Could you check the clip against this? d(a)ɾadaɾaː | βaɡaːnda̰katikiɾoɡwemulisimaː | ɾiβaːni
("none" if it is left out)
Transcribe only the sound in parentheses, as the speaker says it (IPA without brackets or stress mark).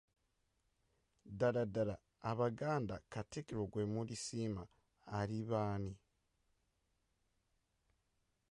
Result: a